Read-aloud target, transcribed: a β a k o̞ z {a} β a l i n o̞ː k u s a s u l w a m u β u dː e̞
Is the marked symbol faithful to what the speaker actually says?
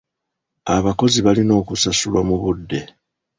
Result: no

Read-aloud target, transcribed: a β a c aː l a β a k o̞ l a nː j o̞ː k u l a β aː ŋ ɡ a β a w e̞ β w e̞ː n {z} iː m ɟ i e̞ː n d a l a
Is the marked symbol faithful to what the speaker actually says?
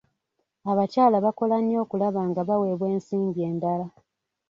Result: no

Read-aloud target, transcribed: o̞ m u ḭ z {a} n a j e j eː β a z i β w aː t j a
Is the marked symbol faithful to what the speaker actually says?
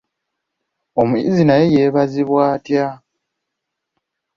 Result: no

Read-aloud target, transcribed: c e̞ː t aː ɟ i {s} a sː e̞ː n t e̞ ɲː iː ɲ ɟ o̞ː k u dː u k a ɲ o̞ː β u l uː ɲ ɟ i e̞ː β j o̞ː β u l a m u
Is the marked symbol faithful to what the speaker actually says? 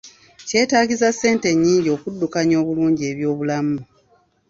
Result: no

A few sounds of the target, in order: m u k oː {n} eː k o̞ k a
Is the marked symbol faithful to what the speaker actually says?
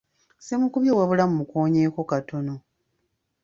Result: no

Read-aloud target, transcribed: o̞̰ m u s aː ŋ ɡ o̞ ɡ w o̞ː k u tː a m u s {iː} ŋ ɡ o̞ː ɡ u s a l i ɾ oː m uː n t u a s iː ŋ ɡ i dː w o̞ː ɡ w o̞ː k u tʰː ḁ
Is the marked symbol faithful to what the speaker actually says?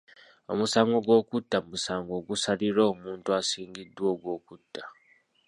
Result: no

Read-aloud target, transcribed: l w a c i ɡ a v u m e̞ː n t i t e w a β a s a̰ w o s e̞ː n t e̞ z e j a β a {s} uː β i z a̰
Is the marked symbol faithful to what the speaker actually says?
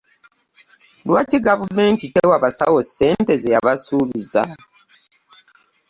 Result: yes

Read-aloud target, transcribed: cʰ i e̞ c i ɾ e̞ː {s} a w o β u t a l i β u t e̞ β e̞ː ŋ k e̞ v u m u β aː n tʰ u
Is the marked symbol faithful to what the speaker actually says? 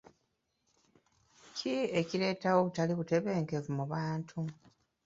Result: no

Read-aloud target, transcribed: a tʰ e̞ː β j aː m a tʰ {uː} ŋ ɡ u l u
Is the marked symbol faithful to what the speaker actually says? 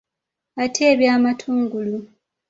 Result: yes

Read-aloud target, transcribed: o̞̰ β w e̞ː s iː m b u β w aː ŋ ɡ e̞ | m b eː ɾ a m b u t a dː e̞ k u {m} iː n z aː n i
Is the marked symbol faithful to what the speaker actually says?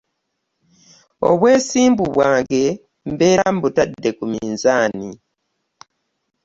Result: yes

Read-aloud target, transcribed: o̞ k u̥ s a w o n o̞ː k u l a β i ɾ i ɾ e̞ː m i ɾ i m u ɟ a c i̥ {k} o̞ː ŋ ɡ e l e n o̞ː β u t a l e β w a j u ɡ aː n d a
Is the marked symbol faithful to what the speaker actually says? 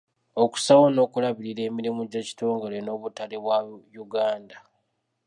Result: no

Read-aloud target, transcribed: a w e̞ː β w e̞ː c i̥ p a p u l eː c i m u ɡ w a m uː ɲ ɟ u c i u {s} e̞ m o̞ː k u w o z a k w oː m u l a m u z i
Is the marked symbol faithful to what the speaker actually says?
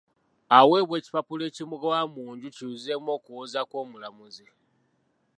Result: no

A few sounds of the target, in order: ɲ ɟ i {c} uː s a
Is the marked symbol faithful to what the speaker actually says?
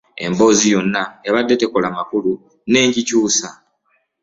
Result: yes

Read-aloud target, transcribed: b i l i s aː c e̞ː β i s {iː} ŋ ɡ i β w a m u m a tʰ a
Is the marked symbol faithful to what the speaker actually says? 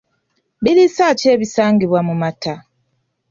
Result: no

